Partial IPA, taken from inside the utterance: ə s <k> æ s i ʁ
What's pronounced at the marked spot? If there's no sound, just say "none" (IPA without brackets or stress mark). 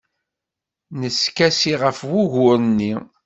k